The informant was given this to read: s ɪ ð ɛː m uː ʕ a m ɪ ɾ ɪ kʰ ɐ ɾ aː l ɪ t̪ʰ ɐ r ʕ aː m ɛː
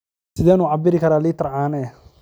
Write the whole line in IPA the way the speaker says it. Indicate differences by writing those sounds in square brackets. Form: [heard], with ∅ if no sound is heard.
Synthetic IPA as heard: s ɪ ð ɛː [n] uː ʕ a [b] ɪ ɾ ɪ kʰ ɐ ɾ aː l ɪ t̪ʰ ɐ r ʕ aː [n] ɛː